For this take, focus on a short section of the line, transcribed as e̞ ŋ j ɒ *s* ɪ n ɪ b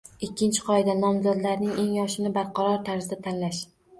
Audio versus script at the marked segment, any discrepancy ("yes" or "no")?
yes